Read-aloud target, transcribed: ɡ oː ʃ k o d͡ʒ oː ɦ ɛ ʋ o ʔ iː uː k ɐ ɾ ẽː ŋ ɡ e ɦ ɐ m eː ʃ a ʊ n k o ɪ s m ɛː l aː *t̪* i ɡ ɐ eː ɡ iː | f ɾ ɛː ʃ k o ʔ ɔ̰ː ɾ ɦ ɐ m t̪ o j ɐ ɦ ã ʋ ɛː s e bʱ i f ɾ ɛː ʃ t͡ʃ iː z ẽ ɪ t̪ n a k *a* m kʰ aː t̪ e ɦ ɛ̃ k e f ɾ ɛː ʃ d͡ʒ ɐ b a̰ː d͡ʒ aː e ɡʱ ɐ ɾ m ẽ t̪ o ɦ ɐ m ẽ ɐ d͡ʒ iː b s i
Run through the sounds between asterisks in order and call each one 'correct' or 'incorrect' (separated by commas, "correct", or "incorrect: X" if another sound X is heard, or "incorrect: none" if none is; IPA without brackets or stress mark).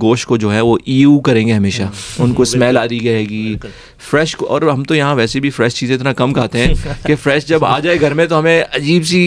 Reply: incorrect: d̪, incorrect: ɐ